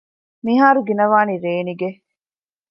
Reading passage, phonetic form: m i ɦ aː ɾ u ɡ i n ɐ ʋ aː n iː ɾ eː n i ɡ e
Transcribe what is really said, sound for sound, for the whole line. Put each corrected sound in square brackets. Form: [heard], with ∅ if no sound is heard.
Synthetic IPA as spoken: m i ɦ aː ɾ u ɡ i n ɐ ʋ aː n [i] ɾ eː n i ɡ e